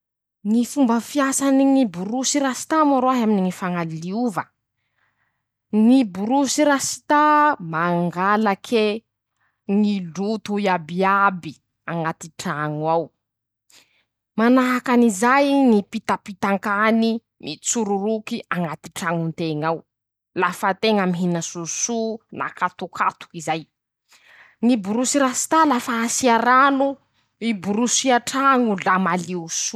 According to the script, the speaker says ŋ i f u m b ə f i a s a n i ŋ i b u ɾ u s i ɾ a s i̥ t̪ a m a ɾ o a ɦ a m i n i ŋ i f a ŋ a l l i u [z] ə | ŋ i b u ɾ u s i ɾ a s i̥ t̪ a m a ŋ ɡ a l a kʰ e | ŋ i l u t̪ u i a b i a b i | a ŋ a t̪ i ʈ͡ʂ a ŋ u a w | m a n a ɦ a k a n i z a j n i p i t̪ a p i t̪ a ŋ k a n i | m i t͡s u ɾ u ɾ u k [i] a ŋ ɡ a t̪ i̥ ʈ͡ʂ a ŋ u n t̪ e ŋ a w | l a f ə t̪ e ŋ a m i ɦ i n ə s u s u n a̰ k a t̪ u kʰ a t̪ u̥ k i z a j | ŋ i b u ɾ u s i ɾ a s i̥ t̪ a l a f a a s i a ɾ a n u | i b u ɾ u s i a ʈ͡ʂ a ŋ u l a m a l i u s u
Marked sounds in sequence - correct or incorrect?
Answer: incorrect: v, correct

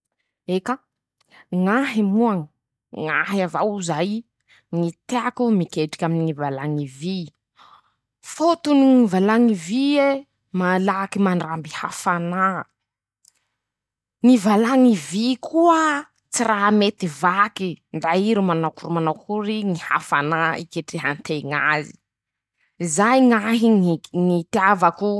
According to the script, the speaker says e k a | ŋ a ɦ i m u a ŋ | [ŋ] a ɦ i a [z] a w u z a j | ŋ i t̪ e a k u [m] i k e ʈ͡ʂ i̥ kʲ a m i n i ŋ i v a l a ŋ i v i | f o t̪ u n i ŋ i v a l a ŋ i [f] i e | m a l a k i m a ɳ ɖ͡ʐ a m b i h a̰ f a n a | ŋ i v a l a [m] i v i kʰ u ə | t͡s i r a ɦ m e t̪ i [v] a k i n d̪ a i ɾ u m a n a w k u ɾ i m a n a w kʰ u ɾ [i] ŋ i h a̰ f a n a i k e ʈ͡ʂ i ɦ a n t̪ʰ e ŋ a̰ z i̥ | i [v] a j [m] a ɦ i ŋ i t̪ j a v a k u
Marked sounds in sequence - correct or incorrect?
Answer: correct, incorrect: v, correct, incorrect: v, incorrect: ŋ, correct, correct, incorrect: z, incorrect: ŋ

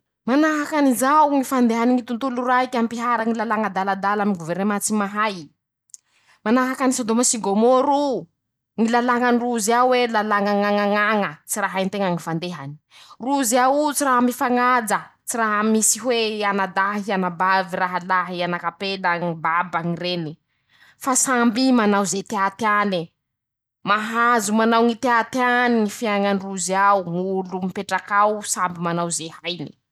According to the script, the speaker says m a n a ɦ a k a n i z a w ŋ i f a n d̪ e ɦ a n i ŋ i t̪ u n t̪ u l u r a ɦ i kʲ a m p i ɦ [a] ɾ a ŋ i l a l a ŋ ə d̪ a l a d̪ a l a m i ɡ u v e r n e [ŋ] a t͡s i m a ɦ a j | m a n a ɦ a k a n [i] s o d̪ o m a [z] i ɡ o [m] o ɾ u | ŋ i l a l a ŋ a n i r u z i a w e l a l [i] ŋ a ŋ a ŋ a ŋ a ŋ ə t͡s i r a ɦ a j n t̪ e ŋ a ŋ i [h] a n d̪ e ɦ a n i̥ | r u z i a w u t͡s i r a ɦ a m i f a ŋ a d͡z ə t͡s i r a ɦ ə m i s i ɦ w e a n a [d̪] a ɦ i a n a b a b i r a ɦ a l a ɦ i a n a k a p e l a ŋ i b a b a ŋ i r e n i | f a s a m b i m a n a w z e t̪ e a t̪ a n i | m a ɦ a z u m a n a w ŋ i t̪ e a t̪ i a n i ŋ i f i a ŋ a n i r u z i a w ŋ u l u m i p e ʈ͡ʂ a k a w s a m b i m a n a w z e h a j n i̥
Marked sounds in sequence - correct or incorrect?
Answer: correct, incorrect: m, correct, incorrect: s, correct, incorrect: a, incorrect: f, correct

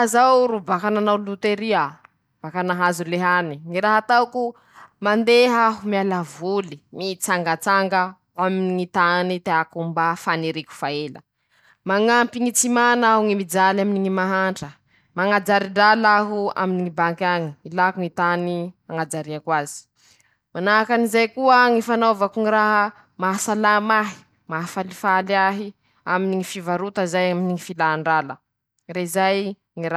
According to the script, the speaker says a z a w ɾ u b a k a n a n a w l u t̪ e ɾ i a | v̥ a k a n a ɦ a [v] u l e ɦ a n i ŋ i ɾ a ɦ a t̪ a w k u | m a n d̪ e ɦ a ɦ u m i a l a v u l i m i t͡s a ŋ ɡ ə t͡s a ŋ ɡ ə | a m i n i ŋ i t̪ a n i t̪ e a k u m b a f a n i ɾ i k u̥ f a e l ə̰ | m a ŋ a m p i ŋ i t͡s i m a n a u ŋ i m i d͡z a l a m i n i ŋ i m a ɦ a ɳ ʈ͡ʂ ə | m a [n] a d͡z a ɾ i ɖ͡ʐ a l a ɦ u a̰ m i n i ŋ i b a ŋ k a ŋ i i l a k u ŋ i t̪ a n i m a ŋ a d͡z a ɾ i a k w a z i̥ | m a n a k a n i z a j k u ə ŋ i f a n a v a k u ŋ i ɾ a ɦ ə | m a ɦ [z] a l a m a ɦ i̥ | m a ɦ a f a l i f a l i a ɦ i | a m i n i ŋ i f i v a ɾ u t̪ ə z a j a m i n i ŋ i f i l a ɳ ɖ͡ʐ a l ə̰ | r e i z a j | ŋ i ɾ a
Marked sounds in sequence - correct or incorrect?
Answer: incorrect: z, incorrect: ŋ, incorrect: s

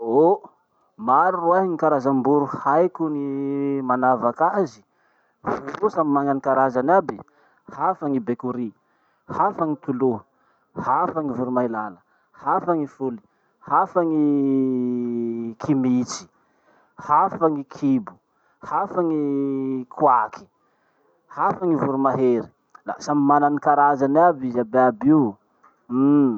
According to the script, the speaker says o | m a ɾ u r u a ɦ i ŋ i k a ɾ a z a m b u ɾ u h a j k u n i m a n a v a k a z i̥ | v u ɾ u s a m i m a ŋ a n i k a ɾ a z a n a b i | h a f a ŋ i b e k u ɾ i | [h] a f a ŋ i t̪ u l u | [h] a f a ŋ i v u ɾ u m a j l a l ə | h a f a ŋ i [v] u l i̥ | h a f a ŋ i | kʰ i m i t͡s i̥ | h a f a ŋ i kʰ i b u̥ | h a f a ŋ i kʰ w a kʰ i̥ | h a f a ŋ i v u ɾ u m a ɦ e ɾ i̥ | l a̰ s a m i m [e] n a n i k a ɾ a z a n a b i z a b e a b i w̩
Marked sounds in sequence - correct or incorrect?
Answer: correct, correct, incorrect: f, incorrect: a

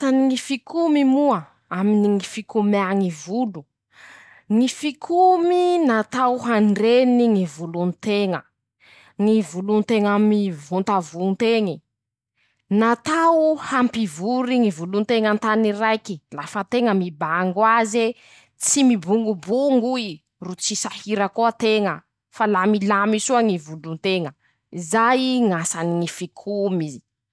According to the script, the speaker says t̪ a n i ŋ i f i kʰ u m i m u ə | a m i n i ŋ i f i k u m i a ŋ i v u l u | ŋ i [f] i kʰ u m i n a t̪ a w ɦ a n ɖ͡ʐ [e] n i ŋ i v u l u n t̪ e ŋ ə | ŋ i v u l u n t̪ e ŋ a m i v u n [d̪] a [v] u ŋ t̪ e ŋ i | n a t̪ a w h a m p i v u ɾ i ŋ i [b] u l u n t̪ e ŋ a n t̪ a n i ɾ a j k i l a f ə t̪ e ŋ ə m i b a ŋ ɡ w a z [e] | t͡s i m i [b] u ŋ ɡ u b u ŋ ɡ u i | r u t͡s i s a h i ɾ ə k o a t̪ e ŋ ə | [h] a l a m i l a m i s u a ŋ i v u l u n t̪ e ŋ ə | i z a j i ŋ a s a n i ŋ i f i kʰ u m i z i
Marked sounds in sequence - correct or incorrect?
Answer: correct, correct, incorrect: t̪, correct, incorrect: v, correct, correct, incorrect: f

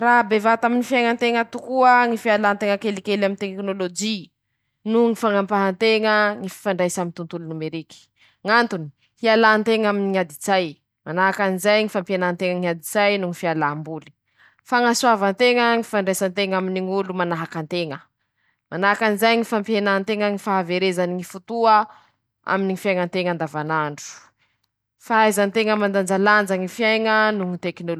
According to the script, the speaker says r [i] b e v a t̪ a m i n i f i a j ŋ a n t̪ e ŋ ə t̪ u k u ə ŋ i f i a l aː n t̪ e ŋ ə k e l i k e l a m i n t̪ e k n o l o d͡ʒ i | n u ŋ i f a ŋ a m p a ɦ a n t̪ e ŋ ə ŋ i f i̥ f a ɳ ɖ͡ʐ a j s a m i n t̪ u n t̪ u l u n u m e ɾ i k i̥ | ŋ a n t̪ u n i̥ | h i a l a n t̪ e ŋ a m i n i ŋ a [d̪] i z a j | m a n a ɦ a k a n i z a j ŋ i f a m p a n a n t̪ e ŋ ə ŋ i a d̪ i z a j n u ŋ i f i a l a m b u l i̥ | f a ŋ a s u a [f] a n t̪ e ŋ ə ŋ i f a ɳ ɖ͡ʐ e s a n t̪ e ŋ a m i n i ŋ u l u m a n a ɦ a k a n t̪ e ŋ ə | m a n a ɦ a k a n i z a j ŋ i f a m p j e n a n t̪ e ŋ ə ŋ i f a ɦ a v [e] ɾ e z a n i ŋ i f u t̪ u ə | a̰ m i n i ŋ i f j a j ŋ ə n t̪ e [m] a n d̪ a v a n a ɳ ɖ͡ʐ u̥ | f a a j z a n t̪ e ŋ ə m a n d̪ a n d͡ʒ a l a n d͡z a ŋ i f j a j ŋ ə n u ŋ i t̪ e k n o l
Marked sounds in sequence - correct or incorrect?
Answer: incorrect: a, correct, incorrect: v, correct, incorrect: ŋ

